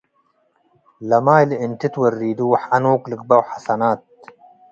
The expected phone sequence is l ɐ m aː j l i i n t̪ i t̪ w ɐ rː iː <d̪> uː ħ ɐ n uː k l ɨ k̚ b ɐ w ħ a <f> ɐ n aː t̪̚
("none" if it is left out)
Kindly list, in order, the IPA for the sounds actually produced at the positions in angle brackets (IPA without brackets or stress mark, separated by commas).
d̪, s